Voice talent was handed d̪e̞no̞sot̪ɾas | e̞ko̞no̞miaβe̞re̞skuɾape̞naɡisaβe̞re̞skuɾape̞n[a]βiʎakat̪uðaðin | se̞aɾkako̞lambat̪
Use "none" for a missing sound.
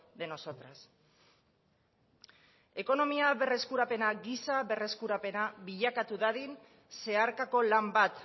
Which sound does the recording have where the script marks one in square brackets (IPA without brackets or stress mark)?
a